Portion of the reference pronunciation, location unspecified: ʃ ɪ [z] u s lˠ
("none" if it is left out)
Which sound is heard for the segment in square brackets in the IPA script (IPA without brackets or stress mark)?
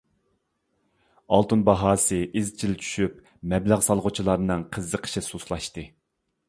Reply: s